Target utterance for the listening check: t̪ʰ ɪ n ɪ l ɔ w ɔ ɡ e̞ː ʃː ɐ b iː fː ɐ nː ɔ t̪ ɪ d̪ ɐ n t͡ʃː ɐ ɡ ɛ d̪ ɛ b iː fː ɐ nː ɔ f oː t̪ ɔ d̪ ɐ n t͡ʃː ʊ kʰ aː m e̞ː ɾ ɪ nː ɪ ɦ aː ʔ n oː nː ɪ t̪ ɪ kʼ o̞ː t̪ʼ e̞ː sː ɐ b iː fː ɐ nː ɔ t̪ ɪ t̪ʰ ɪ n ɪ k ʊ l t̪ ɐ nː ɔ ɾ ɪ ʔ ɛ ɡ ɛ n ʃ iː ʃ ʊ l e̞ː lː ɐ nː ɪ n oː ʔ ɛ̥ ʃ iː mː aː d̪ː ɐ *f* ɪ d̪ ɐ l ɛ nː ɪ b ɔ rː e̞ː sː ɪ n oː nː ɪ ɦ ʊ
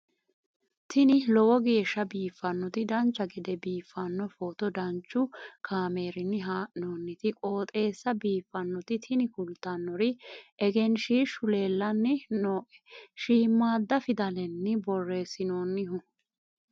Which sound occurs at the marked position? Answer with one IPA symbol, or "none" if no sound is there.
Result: f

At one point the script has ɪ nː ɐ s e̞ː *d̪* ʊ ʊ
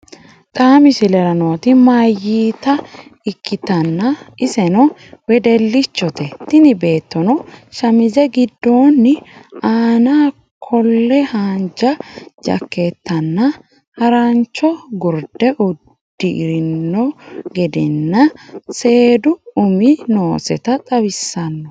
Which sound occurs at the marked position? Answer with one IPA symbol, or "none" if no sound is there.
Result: d̪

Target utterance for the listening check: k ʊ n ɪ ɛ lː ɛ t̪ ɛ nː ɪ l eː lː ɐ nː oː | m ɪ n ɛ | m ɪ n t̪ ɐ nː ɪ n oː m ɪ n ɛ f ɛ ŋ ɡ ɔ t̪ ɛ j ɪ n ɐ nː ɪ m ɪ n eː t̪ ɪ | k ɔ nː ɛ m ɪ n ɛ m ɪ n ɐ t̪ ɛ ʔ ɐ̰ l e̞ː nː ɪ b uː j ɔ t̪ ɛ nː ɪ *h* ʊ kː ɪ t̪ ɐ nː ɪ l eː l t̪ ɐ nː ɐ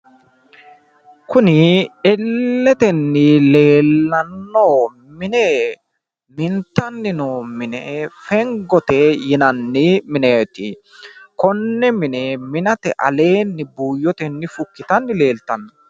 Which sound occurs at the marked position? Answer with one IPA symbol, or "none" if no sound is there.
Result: f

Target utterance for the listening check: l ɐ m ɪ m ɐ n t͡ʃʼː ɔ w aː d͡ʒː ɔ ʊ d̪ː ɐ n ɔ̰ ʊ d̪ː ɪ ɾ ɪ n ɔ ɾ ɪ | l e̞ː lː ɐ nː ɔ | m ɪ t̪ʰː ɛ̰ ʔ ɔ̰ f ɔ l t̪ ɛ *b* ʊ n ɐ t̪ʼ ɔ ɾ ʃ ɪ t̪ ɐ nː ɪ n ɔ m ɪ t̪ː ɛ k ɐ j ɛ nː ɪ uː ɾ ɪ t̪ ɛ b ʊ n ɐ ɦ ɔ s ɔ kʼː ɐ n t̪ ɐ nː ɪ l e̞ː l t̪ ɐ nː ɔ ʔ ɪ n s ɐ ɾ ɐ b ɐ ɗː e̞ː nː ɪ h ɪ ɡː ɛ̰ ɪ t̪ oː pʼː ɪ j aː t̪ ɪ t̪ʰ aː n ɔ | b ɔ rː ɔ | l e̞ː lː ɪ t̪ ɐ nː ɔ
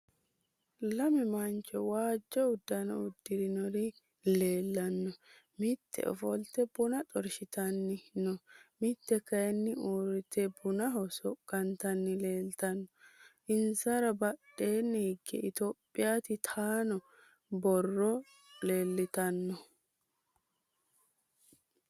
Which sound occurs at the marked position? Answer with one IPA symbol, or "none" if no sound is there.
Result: b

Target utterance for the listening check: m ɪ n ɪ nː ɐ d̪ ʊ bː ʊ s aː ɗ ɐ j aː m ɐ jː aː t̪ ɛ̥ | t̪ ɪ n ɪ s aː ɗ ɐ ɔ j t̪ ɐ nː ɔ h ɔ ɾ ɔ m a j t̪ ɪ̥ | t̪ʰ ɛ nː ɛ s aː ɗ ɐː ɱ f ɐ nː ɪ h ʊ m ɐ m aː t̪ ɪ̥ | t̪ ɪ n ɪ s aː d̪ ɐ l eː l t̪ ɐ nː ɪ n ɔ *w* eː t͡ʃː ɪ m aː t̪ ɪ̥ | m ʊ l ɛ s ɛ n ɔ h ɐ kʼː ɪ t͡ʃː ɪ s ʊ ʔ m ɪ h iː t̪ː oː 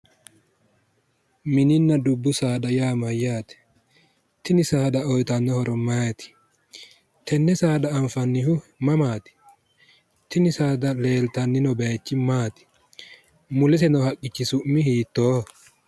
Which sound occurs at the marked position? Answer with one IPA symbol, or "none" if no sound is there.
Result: b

